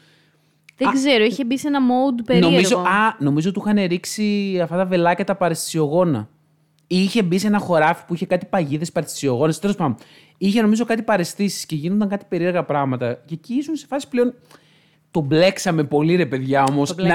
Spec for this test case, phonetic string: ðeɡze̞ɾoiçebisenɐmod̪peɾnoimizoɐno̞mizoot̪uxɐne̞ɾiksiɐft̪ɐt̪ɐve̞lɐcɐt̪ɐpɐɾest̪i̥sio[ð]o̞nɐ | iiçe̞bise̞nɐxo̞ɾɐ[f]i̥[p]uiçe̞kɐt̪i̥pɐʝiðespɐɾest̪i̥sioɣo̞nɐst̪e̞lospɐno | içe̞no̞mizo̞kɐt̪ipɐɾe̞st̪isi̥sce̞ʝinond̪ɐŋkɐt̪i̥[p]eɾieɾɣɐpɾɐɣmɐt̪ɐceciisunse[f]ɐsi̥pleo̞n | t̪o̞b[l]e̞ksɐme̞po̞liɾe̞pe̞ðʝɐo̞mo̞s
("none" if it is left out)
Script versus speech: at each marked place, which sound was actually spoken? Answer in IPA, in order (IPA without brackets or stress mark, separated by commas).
ɣ, f, p, p, f, l